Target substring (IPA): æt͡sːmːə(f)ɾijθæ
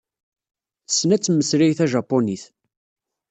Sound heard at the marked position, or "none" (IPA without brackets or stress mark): s